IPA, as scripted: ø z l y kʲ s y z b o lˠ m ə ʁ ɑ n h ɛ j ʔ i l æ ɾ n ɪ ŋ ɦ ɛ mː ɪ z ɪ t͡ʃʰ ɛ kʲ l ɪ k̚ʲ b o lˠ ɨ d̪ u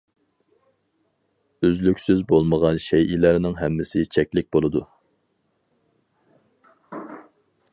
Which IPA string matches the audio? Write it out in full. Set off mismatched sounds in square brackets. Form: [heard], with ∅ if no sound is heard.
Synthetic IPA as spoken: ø z l y kʲ s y z b o lˠ m ə ʁ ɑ n [ʃ] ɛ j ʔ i l æ ɾ n ɪ ŋ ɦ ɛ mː ɪ [s] ɪ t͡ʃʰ ɛ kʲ l ɪ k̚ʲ b o lˠ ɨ d̪ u